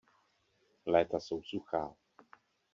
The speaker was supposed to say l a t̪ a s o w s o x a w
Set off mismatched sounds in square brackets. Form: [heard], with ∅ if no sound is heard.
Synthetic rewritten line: l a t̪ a s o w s [u] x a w

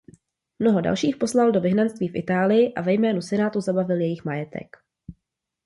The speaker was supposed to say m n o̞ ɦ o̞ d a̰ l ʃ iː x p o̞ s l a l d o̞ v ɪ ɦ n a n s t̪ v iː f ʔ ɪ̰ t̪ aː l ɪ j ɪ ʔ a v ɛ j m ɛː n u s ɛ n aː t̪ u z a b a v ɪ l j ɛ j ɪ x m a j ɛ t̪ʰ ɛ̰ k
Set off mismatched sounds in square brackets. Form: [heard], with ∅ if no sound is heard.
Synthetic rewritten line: m n o̞ ɦ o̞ d a̰ l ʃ iː x p o̞ s l a l d o̞ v ɪ ɦ n a n s t̪ v iː f ʔ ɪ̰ t̪ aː l ɪ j ɪ ʔ a v ɛ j m ɛː n u s ɛ n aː t̪ u z a b a v ɪ l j ɛ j ɪ x m a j ɛ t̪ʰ ɛ̰ k

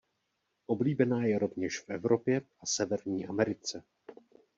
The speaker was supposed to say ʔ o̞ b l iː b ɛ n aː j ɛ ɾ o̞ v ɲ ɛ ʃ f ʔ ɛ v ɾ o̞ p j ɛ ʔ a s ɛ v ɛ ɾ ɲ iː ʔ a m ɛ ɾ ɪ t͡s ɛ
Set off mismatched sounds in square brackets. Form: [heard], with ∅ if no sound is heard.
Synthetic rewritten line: ʔ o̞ b l iː b ɛ n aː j ɛ ɾ o̞ v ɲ ɛ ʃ f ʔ ɛ v ɾ o̞ p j ɛ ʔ a s ɛ v ɛ ɾ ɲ iː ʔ a m ɛ ɾ ɪ t͡s ɛ

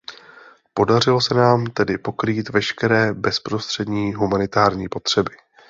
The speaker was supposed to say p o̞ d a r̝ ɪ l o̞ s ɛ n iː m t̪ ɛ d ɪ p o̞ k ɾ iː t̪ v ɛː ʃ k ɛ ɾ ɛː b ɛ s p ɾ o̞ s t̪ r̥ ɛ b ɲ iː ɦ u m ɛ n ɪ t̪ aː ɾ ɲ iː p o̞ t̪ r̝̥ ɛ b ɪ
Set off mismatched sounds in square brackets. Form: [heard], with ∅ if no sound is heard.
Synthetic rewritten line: p o̞ d a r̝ ɪ l o̞ s ɛ n [aː] m t̪ ɛ d ɪ p o̞ k ɾ iː t̪ v [ɛ] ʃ k ɛ ɾ ɛː b ɛ s p ɾ o̞ s t̪ r̥ ɛ [d] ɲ iː ɦ u m [a] n ɪ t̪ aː ɾ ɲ iː p o̞ t̪ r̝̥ ɛ b ɪ

